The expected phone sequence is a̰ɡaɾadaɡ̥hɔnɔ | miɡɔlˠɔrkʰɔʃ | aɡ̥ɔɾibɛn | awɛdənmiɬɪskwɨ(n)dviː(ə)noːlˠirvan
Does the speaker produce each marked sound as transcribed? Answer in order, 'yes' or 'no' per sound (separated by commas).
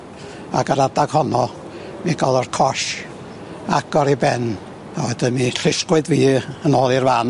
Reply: no, yes